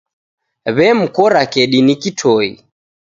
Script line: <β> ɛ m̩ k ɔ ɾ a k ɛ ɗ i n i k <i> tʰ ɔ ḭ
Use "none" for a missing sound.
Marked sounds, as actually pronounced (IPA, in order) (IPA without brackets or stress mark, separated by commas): β, i